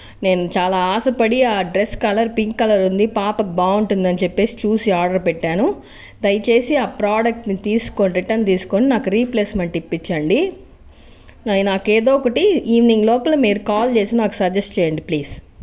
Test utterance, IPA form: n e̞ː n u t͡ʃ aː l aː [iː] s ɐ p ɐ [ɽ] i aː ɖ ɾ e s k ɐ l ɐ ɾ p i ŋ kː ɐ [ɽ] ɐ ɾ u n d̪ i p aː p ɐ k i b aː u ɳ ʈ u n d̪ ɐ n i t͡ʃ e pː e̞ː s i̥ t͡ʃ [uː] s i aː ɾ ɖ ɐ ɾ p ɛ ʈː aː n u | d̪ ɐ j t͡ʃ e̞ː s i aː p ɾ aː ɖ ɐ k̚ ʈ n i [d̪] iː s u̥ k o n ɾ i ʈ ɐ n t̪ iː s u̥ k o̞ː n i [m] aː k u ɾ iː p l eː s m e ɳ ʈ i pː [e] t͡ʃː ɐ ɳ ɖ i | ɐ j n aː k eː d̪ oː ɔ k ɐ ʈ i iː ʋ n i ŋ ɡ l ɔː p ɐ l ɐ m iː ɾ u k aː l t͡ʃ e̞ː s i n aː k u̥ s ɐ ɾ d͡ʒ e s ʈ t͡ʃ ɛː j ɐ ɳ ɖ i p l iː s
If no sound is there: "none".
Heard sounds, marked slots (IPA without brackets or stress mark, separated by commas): aː, ɽ, l, uː, t̪, n, i